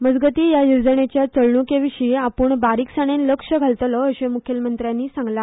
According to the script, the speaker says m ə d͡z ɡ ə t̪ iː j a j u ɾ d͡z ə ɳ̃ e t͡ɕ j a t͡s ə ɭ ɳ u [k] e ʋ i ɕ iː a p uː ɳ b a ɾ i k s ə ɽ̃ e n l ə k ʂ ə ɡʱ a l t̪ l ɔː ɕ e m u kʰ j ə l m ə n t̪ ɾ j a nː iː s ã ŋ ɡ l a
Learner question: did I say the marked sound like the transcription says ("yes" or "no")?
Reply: yes